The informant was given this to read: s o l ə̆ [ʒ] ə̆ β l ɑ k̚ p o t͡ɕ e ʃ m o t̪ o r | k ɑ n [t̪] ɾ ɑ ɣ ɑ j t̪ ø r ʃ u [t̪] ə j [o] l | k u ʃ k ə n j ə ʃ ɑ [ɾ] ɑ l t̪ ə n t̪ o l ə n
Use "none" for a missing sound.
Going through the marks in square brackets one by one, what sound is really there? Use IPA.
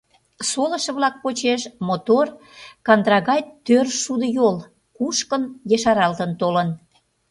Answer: ʃ, d̪, d̪, o, ɾ

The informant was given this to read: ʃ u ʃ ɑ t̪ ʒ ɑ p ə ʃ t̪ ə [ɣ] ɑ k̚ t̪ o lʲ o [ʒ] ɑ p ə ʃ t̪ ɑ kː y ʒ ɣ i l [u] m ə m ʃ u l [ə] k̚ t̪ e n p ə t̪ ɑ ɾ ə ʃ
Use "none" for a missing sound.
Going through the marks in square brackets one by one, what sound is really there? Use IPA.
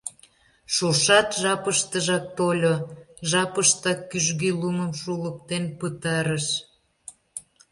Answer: ʒ, ʒ, u, ə

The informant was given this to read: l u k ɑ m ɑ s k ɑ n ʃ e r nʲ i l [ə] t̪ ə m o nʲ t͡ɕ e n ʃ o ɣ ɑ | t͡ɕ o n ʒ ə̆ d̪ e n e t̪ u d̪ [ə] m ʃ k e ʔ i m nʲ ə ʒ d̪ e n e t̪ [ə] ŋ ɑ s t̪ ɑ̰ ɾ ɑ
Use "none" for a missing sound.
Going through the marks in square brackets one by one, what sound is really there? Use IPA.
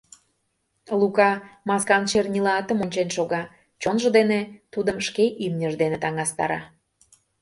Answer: ɑ, ə, ɑ

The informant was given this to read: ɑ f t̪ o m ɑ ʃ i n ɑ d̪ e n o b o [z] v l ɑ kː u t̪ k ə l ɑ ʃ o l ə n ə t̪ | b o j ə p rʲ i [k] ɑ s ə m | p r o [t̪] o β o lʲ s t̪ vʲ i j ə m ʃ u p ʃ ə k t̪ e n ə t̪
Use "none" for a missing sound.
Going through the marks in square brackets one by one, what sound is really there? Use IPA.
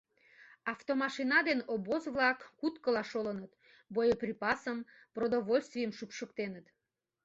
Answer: z, p, d̪

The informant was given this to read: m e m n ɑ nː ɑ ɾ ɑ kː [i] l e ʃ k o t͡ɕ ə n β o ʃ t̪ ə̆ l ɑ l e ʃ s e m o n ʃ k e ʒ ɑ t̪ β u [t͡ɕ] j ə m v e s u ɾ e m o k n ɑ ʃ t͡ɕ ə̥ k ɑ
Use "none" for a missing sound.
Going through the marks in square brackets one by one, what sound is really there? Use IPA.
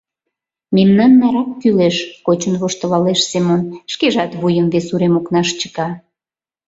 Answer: y, none

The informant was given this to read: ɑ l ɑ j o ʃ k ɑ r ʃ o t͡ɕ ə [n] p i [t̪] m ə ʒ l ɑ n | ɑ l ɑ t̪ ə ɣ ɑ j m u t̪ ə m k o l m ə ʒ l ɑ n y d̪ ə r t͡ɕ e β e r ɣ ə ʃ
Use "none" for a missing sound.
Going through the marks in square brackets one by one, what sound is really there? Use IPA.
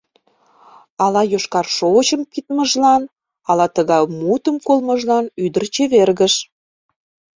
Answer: m, t̪

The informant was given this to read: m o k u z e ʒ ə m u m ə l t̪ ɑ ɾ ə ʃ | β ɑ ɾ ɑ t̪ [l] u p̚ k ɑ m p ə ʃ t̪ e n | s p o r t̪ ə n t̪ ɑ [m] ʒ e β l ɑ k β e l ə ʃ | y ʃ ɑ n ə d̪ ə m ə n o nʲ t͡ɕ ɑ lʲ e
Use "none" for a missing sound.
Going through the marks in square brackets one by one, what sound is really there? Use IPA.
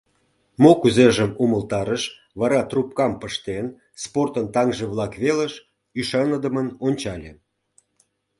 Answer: r, ŋ

